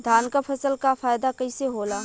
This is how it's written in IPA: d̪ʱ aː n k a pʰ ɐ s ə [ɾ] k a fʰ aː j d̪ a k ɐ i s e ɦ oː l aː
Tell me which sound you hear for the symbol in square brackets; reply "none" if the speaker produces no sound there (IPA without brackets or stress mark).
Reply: l